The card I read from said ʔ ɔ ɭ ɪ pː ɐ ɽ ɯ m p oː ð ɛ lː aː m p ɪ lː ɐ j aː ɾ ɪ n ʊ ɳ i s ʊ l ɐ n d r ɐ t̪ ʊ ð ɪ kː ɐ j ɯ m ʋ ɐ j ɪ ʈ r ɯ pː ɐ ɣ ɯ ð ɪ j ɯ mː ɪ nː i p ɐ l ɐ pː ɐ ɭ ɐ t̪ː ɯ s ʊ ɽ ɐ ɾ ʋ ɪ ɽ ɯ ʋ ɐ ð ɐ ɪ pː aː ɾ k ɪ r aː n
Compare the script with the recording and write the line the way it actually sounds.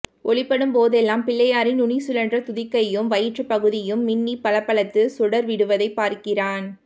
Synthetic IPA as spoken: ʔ ɔ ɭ ɪ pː ɐ ɽ ɯ m p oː ð ɛ lː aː m p ɪ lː ɐ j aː ɾ ɪ n ʊ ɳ i s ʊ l ɐ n d r ɐ t̪ ʊ ð ɪ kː ɐ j ɯ m ʋ ɐ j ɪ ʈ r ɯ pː ɐ ɣ ɯ ð ɪ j ɯ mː ɪ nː i p ɐ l ɐ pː ɐ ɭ ɐ t̪ː ɯ s ʊ ɽ ɐ ɾ ʋ ɪ ɽ ɯ ʋ ɐ ð ɐ ɪ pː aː ɾ k ɪ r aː n